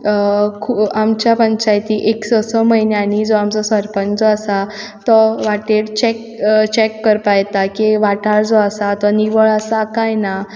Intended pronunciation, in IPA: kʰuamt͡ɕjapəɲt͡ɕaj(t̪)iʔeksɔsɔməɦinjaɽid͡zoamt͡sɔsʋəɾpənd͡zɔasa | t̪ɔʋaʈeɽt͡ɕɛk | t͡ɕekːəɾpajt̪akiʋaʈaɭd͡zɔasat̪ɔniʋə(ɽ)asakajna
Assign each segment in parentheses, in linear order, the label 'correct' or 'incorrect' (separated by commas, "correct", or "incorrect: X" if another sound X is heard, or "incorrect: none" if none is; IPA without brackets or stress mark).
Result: correct, incorrect: ɭ